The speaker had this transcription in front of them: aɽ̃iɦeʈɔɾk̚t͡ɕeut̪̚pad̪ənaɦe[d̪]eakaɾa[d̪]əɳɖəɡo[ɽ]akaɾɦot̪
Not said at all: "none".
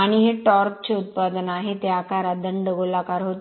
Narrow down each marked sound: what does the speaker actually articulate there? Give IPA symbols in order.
t̪, d̪, l

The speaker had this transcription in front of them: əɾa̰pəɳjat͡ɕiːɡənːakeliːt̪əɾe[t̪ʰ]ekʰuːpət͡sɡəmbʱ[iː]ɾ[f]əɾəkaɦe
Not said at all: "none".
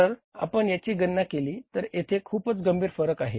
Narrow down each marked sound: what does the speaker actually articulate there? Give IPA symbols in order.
t̪ʰ, iː, f

